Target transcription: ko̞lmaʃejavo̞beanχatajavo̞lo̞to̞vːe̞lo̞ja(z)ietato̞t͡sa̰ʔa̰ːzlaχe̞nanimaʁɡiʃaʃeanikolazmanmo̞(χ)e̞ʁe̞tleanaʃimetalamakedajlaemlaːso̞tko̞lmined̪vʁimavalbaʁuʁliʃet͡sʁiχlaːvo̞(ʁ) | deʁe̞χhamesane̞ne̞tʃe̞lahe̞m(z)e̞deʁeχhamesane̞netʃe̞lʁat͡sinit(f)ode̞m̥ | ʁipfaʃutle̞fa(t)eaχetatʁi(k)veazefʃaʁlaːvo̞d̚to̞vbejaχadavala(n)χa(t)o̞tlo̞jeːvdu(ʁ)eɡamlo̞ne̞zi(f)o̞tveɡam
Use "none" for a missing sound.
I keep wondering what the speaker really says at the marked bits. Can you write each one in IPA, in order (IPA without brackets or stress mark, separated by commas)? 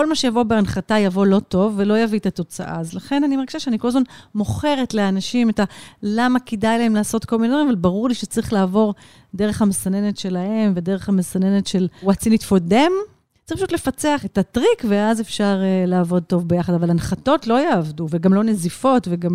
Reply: v, χ, ʁ, v, f, t͡s, k, n, t, v, f